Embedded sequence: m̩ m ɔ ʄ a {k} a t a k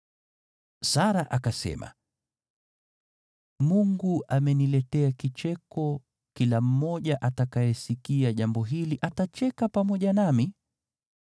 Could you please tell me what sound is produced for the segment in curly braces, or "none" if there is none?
ʔ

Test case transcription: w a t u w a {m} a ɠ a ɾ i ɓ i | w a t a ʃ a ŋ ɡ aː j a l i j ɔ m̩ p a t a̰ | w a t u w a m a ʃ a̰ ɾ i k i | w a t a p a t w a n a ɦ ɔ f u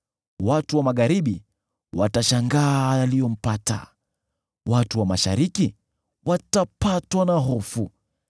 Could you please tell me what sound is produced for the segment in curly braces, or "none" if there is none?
m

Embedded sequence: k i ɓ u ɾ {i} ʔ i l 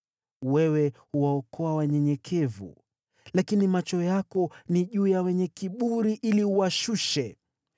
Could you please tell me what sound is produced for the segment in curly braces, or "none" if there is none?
i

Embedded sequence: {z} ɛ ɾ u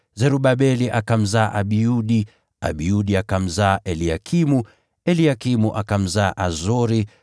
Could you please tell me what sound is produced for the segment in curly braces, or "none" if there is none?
z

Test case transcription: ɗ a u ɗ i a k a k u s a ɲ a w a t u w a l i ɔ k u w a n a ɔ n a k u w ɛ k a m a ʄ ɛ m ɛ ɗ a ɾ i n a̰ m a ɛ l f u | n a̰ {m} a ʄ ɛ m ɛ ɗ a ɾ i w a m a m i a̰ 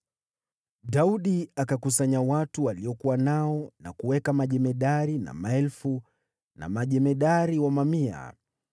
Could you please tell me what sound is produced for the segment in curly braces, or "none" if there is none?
m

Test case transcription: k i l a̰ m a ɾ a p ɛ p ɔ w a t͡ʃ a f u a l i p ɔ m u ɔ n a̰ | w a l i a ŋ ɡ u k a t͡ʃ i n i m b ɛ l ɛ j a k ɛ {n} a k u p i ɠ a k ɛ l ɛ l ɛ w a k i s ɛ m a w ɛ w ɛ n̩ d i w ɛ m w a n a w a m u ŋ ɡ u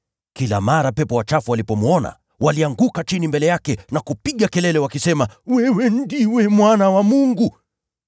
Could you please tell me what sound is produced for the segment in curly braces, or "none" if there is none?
n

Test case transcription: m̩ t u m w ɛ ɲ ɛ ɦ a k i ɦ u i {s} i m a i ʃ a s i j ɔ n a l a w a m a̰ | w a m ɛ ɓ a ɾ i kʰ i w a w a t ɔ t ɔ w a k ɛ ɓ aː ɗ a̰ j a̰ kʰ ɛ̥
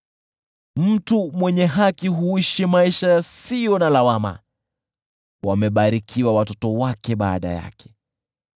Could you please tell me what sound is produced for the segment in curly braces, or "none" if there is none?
ʃ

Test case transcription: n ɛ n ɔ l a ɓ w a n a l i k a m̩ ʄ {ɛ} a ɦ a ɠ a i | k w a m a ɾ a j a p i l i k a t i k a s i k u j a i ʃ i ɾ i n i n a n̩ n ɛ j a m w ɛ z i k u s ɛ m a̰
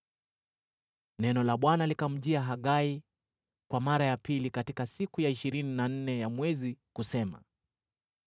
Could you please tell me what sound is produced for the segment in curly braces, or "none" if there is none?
i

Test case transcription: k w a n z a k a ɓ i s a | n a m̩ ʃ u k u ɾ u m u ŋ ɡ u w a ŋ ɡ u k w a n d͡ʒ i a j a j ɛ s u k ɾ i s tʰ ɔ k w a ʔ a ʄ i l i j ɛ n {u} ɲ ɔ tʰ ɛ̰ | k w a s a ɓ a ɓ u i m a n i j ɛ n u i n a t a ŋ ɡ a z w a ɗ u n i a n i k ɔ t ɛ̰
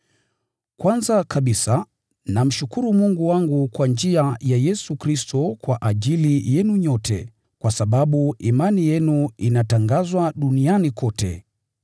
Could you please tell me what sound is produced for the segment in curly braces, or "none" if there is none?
u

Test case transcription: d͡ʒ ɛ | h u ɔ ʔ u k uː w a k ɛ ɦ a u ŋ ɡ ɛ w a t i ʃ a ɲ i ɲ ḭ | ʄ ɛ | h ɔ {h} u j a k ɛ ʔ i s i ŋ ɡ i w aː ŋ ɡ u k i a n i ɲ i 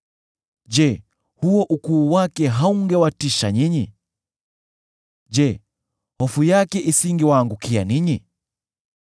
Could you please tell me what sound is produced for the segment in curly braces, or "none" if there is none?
f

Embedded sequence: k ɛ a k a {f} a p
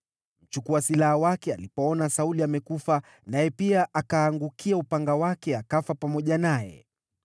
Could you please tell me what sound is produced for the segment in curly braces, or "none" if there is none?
f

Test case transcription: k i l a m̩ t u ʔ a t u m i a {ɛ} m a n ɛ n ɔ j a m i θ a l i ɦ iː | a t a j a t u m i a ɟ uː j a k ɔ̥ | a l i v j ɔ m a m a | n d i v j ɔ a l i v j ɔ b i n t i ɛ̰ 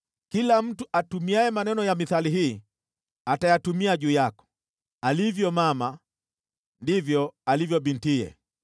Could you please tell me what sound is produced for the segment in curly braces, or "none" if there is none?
ɛ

